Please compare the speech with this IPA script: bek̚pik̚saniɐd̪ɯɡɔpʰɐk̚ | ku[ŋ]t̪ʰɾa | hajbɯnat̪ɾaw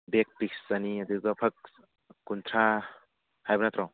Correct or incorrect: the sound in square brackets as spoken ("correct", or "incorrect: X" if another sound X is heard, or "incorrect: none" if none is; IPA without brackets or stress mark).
incorrect: n